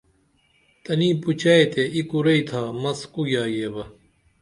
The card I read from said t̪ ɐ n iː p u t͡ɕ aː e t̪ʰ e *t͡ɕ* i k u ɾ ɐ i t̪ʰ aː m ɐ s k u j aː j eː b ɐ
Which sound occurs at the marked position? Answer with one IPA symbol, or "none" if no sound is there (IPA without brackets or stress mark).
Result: none